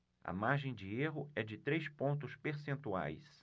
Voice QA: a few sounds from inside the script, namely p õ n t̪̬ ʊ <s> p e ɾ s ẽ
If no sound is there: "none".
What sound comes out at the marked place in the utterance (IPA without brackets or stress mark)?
s